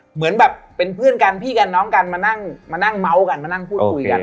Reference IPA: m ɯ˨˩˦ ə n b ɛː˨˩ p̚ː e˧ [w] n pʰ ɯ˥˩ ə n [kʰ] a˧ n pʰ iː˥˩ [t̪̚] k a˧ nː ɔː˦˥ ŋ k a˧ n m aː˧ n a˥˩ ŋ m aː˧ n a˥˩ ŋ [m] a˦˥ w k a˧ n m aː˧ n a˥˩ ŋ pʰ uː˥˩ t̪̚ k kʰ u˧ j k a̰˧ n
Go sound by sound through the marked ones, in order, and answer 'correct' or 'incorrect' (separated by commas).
incorrect, incorrect, incorrect, correct